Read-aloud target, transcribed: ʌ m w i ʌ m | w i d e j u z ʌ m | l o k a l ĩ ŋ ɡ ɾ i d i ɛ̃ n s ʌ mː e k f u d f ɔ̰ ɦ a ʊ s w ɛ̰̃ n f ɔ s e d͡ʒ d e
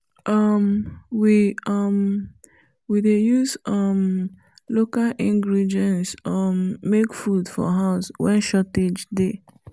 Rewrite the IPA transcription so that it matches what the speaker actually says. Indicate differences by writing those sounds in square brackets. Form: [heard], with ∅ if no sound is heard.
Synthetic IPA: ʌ m w i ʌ m | w i d e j u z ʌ m | l o k a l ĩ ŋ ɡ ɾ i d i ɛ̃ n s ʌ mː e k f u d f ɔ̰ ɦ a ʊ s w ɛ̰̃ n [ʃ] ɔ [t] e d͡ʒ d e